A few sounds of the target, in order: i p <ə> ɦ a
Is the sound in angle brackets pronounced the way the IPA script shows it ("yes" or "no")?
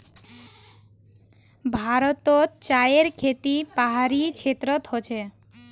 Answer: no